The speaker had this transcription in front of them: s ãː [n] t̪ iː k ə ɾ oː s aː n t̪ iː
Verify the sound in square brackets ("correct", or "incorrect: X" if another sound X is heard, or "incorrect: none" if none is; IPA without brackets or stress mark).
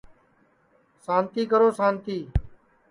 correct